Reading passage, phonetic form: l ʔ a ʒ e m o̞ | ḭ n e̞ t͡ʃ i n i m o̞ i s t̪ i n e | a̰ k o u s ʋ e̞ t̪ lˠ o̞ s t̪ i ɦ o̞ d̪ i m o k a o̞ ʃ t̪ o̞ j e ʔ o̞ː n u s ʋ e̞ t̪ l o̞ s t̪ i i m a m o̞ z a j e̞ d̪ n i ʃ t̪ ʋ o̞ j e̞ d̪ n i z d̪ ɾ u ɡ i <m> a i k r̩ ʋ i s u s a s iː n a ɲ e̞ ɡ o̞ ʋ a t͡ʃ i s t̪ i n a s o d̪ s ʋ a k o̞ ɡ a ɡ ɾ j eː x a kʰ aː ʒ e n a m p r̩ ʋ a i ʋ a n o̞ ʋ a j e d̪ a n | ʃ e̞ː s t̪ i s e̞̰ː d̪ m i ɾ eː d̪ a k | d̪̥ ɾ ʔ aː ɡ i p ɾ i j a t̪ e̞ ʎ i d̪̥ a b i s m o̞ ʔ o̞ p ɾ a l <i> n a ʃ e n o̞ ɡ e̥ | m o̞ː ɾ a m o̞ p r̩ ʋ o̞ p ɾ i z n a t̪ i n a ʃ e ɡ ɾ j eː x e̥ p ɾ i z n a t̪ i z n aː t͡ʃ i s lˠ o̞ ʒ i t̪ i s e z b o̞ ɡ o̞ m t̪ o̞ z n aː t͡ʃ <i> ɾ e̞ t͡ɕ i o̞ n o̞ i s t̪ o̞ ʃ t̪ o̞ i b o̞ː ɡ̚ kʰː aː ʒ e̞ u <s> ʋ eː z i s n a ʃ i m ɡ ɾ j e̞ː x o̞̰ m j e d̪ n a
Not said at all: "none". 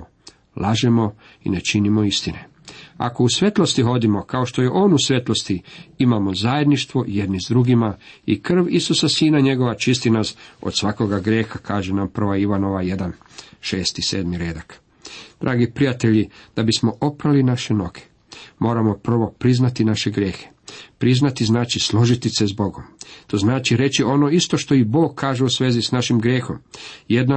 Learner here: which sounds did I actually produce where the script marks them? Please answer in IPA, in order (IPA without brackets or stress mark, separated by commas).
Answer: m, i, i, s